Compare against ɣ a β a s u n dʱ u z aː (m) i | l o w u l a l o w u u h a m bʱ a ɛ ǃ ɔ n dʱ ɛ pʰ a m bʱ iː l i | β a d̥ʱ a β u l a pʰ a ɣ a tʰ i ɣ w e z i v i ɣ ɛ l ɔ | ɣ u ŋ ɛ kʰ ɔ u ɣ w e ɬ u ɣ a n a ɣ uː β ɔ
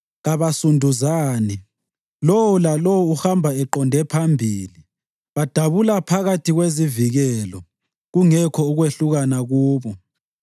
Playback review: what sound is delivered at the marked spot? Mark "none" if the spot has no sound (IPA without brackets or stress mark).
n